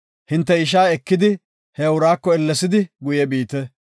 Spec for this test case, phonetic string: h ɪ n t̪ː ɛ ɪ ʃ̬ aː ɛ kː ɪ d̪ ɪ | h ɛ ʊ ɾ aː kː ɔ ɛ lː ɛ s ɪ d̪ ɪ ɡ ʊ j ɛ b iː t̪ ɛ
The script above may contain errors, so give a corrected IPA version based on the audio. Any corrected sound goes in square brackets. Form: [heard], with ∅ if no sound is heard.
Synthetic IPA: h ɪ n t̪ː ɛ ɪ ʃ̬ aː ɛ kː ɪ d̪ ɪ | h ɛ ʊ ɾ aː kː ɔ ɛ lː ɛ s ɪ d̪ ɪ ɡ ʊ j ɛ b iː t̪ ɛ

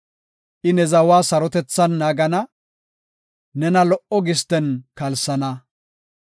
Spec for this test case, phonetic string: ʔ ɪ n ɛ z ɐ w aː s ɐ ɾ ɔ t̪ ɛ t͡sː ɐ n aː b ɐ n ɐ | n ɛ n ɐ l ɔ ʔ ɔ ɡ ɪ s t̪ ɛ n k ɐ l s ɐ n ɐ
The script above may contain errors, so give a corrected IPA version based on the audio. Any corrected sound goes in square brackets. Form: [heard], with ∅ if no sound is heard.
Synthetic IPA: ʔ ɪ n ɛ z ɐ w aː s ɐ ɾ ɔ t̪ ɛ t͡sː ɐ [nː] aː [ɡ] ɐ n ɐ | n ɛ n ɐ l ɔ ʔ ɔ ɡ ɪ s t̪ ɛ n k ɐ l s ɐ n ɐ

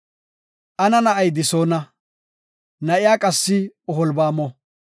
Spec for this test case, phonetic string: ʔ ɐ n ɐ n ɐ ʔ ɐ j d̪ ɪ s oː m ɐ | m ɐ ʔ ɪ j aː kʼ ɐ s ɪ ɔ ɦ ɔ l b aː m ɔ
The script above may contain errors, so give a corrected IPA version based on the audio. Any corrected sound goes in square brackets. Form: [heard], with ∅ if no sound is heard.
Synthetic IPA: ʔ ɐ n ɐ n ɐ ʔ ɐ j d̪ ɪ s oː [n] ɐ | [n] ɐ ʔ ɪ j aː kʼ ɐ [sː] ɪ ɔ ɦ ɔ l b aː m ɔ

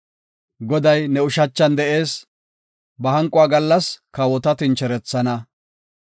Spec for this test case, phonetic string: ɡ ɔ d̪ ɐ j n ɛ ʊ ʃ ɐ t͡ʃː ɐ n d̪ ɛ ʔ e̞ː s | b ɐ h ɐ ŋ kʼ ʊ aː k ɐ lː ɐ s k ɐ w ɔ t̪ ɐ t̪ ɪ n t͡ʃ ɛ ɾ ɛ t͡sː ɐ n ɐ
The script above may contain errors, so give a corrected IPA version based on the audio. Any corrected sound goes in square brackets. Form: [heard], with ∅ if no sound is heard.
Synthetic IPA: ɡ ɔ d̪ ɐ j n ɛ ʊ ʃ ɐ t͡ʃː ɐ n d̪ ɛ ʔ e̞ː s | b ɐ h ɐ ŋ kʼ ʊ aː [ɡ] ɐ lː ɐ s k ɐ w ɔ t̪ ɐ t̪ ɪ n t͡ʃ ɛ ɾ ɛ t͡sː ɐ n ɐ

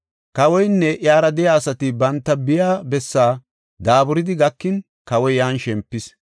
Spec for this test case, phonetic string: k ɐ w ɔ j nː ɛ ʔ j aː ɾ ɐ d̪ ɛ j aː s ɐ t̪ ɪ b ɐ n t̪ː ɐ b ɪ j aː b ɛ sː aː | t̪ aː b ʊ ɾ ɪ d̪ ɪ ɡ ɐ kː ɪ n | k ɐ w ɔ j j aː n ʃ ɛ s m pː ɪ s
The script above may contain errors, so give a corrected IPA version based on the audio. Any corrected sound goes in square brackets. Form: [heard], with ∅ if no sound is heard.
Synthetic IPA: k ɐ w ɔ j nː ɛ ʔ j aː ɾ ɐ d̪ ɛ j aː s ɐ t̪ ɪ b ɐ n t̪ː ɐ b ɪ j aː b ɛ sː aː | [d̪] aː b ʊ ɾ ɪ d̪ ɪ ɡ ɐ kː ɪ n | k ɐ w ɔ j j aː n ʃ ɛ [∅] m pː ɪ s

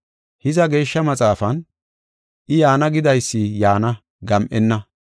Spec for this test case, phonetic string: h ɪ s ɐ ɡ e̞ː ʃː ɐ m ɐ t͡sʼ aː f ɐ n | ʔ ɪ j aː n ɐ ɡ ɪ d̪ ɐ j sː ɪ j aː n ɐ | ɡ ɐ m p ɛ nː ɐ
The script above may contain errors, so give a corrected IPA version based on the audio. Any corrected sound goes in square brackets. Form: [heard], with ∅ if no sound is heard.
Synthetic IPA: h ɪ [z] ɐ ɡ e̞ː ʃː ɐ m ɐ t͡sʼ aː f ɐ n | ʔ ɪ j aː n ɐ ɡ ɪ d̪ ɐ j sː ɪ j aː n ɐ | ɡ ɐ m [ʔ] ɛ nː ɐ

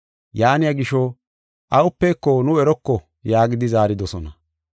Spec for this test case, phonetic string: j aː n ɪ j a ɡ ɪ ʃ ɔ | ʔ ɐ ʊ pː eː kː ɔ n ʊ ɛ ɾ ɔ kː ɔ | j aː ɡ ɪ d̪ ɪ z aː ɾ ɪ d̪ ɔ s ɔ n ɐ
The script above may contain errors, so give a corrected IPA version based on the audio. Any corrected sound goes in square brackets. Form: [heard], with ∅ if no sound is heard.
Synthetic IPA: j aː n ɪ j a ɡ ɪ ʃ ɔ | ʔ ɐ ʊ pː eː kː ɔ n ʊ ɛ ɾ ɔ kː ɔ | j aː ɡ ɪ d̪ ɪ z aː ɾ ɪ d̪ ɔ s ɔ n ɐ

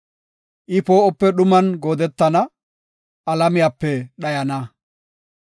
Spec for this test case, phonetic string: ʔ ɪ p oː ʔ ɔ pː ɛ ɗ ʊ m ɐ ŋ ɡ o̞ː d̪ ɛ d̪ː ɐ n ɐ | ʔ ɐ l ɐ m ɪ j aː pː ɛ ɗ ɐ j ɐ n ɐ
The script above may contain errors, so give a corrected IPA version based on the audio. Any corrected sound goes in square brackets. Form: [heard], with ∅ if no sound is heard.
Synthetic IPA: ʔ ɪ p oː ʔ ɔ pː ɛ ɗ ʊ m ɐ [n] ɡ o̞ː d̪ ɛ [t̪ː] ɐ n ɐ | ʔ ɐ l ɐ m ɪ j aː pː ɛ ɗ ɐ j ɐ n ɐ

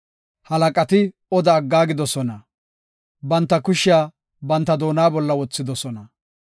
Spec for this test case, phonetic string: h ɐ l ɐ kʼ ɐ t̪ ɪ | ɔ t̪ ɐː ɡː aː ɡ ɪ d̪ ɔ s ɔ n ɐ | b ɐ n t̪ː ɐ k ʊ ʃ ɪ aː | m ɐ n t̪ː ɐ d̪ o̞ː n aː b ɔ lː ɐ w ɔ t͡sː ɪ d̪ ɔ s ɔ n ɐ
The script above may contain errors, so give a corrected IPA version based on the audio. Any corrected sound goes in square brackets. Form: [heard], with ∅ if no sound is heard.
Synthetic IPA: h ɐ l ɐ kʼ ɐ t̪ ɪ | ɔ [d̪] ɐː ɡː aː ɡ ɪ d̪ ɔ s ɔ n ɐ | b ɐ n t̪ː ɐ k ʊ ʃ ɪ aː | [b] ɐ n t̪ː ɐ d̪ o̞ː n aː b ɔ lː ɐ w ɔ t͡sː ɪ d̪ ɔ s ɔ n ɐ

